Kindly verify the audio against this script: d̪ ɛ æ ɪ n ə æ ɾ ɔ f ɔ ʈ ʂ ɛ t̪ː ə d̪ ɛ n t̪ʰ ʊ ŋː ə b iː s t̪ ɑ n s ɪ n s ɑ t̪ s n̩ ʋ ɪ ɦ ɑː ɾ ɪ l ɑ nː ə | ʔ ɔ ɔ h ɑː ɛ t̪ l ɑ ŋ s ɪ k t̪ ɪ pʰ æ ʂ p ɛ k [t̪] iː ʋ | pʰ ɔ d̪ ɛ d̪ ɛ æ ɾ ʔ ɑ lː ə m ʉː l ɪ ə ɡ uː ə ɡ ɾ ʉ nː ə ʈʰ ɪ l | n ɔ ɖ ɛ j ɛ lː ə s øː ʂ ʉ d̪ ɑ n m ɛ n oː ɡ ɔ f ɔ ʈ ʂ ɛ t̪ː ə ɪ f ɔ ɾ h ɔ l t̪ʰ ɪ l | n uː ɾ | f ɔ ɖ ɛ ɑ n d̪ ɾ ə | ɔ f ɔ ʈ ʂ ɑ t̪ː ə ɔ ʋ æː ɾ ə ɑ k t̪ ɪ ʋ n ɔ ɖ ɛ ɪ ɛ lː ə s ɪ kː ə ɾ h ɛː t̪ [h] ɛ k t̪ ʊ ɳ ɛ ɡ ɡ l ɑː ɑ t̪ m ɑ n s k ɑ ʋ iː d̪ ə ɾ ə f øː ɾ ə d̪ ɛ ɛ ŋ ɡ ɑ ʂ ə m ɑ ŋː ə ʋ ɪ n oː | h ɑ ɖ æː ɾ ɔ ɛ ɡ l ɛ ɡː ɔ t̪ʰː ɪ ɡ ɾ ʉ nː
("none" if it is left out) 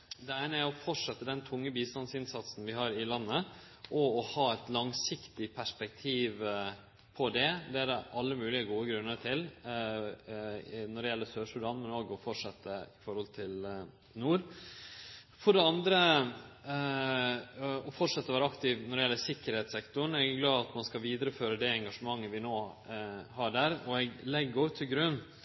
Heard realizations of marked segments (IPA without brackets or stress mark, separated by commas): t̪ʰ, s